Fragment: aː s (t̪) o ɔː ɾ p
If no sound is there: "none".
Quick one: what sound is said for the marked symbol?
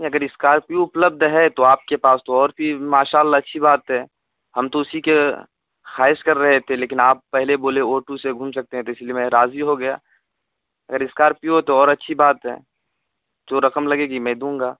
t̪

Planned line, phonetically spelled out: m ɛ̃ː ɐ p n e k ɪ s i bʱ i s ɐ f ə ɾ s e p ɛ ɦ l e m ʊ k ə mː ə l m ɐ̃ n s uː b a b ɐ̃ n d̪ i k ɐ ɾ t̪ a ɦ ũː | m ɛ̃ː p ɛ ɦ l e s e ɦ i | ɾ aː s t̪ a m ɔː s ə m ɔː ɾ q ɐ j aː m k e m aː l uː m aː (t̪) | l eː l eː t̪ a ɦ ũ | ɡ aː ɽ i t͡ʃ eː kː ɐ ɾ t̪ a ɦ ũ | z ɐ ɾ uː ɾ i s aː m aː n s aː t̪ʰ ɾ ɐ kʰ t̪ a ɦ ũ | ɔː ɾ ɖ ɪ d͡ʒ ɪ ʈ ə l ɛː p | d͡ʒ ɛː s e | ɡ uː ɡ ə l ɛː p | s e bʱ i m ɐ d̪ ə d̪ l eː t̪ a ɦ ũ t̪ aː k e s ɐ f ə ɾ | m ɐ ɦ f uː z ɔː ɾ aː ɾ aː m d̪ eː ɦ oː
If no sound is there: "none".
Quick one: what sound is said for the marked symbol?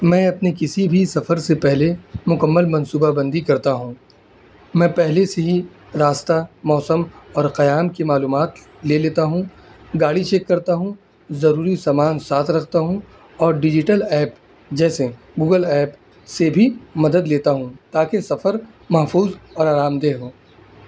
t̪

